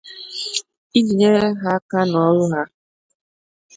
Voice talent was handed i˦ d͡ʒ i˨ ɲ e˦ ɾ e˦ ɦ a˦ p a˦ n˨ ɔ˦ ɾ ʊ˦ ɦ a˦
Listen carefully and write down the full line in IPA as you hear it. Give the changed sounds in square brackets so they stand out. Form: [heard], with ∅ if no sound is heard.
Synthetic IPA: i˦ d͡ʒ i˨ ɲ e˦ ɾ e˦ ɦ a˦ [k] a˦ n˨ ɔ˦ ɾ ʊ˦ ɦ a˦